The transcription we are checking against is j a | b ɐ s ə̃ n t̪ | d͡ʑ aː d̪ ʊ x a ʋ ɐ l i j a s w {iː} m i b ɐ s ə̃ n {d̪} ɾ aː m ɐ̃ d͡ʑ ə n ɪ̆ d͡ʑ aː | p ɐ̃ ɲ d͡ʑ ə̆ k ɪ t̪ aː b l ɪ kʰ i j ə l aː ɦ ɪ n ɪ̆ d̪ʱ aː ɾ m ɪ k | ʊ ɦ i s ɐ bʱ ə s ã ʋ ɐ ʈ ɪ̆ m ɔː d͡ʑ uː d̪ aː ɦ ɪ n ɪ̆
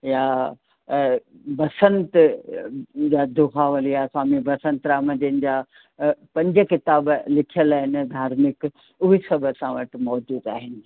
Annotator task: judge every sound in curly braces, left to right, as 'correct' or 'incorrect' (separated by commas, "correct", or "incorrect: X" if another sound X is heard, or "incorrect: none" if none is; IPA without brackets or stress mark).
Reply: incorrect: aː, incorrect: t̪